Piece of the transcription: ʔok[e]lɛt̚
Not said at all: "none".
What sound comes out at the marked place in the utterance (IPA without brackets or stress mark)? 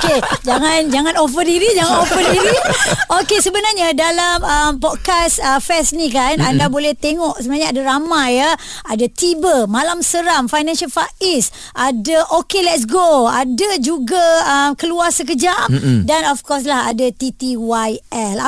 e